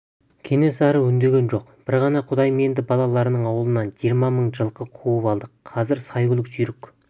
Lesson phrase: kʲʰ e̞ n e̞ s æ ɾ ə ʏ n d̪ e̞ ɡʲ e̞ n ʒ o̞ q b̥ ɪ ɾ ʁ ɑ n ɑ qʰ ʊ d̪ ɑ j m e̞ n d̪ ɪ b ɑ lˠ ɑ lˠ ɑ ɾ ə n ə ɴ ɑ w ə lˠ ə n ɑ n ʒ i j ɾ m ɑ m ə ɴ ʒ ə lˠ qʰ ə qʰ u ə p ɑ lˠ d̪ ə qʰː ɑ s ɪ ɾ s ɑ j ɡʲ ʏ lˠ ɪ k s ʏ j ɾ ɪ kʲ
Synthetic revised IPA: kʲʰ e̞ n e̞ s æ ɾ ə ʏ n d̪ e̞ ɡʲ e̞ n ʒ o̞ q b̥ ɪ ɾ ʁ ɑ n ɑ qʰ ʊ d̪ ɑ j m e̞ n d̪ ɪ b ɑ lˠ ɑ lˠ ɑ ɾ ə n ə ɴ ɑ w ə lˠ ə n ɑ n ʒ i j ɾ m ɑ m ə ɴ ʒ ə lˠ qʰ ə qʰ u ə p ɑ lˠ d̪ ə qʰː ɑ z ɪ ɾ s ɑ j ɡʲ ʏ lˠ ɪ k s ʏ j ɾ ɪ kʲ